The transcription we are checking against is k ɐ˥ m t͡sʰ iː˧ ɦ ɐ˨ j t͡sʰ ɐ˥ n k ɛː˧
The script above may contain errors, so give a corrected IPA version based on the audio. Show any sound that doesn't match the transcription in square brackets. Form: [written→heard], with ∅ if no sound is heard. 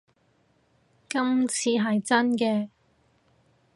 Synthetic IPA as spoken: k ɐ˥ m t͡sʰ iː˧ ɦ ɐ˨ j [t͡sʰ→t͡s] ɐ˥ n k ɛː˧